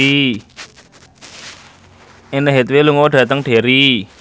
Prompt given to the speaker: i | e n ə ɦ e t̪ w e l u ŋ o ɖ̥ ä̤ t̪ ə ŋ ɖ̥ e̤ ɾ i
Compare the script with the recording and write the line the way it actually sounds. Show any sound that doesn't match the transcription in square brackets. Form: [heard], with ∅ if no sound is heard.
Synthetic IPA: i | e n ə ɦ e t̪ w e l u ŋ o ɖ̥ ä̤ t̪ ə ŋ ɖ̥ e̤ ɾ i

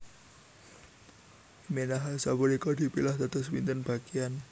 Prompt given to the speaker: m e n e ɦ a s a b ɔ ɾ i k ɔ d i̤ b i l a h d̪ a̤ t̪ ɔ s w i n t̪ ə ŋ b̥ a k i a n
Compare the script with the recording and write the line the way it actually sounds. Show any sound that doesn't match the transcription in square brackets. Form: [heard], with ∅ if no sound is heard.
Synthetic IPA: m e n [a] ɦ a s a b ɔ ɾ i k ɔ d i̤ [p] i l a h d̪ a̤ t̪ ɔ s w i n t̪ ə [n] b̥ a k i a n

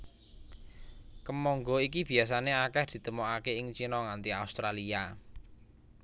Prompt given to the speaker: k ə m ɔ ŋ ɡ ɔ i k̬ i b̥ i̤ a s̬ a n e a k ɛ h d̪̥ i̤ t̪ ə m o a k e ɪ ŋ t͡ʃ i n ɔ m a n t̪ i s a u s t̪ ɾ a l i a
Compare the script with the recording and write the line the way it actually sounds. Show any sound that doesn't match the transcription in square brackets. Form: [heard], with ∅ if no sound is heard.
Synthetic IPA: k ə m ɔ ŋ ɡ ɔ i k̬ i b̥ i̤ a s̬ a n e a k ɛ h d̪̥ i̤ t̪ ə m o a k e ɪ ŋ t͡ʃ i n ɔ [ŋ] a n t̪ i [∅] a u s t̪ ɾ a l i a

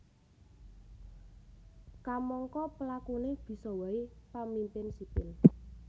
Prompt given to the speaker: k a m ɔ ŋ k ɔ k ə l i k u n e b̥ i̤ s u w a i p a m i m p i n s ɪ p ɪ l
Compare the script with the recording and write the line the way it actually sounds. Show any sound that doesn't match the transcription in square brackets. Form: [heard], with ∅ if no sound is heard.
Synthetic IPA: k a m ɔ ŋ k ɔ [p] ə l [a] k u n e b̥ i̤ s [ɔ] w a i p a m i m p [ɪ] n s [i] p ɪ l

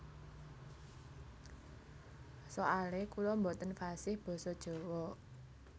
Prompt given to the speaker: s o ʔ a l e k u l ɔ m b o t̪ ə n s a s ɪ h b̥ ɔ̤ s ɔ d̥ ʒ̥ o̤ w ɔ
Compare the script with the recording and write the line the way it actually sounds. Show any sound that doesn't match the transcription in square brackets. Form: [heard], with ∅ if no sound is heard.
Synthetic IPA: s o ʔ a l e k u l ɔ m b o t̪ ə n [f] a s ɪ h b̥ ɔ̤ s ɔ d̥ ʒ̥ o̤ w ɔ

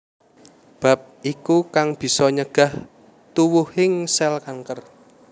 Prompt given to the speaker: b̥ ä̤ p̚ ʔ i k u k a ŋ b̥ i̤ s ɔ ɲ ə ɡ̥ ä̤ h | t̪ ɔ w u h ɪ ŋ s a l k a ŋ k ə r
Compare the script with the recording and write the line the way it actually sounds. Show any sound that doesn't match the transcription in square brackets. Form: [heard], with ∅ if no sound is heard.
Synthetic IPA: b̥ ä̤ p̚ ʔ i k u k a ŋ b̥ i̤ s ɔ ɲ ə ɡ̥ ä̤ h | t̪ [u] w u h ɪ ŋ s [ɛ] l k a ŋ k ə r

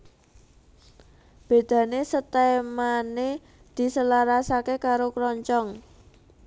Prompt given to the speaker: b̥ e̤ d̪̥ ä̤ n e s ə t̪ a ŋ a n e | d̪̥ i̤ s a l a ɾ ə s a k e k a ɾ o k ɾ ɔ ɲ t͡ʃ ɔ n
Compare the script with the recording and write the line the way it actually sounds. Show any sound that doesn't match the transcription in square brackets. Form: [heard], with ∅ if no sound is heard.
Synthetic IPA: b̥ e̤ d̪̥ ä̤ n e s ə t̪ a [m] a n e | d̪̥ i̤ s [ə] l a ɾ [a] s a k e k a ɾ o k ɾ ɔ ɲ t͡ʃ ɔ [ŋ]

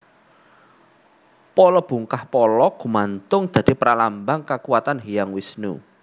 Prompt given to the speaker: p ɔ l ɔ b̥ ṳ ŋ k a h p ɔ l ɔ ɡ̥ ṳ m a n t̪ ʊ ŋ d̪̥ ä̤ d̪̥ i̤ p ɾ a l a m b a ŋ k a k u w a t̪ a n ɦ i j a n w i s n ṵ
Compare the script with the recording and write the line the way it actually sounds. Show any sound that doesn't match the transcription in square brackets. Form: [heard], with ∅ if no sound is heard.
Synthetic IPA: p ɔ l ɔ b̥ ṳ ŋ k a h p ɔ l ɔ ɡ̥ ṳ m a n t̪ ʊ ŋ d̪̥ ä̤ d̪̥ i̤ p ɾ a l a m b a ŋ k a k u w a t̪ a n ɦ i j a [ŋ] w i s n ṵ

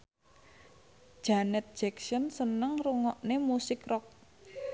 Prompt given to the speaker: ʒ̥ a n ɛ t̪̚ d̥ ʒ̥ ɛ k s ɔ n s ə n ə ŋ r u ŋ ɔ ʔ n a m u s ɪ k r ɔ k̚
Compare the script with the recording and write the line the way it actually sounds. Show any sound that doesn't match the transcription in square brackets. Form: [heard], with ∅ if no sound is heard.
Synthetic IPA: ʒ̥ a n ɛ t̪̚ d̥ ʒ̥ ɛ k s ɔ n s ə n ə ŋ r u ŋ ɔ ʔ n [e] m u s ɪ k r ɔ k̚

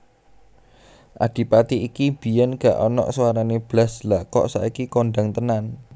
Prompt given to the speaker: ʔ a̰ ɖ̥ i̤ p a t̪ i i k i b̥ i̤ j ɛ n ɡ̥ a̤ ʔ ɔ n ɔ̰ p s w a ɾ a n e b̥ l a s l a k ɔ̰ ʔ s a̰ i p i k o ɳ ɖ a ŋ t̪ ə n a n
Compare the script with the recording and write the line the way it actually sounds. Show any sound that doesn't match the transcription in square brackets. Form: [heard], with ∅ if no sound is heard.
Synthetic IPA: ʔ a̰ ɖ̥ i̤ p a t̪ i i k i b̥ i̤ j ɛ n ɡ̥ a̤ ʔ ɔ n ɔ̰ [ʔ] s w a ɾ a n e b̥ l a s l a k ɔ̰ ʔ s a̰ i [k] i k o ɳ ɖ a ŋ t̪ ə n a n

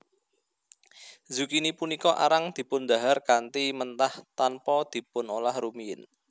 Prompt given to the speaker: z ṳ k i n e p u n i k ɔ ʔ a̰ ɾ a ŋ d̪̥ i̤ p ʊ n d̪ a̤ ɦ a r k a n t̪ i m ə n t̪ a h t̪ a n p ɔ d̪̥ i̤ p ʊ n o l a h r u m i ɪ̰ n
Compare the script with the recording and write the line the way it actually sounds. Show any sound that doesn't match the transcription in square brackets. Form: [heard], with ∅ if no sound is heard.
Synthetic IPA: z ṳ k i n [i] p u n i k ɔ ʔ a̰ ɾ a ŋ d̪̥ i̤ p ʊ n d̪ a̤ ɦ a r k a n t̪ i m ə n t̪ a h t̪ a n p ɔ d̪̥ i̤ p ʊ n o l a h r u m i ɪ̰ n

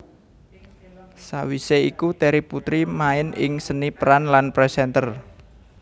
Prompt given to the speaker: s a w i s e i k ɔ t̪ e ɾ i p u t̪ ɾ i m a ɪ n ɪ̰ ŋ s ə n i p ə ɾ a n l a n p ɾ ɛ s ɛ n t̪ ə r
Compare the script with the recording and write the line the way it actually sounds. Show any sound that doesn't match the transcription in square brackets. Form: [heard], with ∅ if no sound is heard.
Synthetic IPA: s a w i s e i k [u] t̪ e ɾ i p u t̪ ɾ i m a ɪ n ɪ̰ ŋ s ə n i p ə ɾ a n l a n p ɾ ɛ s ɛ n t̪ ə r

